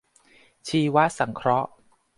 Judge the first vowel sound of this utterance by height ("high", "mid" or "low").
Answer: high